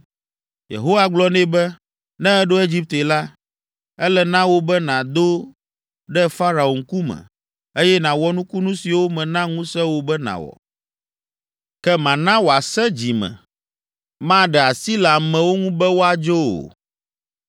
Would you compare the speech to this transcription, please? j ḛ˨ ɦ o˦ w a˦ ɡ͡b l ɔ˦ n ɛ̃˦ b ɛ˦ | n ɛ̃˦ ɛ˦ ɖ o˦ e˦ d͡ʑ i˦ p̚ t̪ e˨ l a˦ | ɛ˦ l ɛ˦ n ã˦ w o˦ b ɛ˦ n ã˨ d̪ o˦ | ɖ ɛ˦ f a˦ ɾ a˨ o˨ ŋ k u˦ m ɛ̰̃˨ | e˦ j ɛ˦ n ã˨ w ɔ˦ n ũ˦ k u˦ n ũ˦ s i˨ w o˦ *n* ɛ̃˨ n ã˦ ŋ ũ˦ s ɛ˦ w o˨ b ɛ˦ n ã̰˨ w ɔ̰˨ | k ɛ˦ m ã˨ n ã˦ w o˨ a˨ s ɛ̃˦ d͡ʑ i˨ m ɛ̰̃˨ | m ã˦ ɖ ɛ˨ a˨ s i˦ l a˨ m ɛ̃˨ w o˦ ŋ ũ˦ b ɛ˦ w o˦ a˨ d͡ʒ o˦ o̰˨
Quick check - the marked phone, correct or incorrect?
incorrect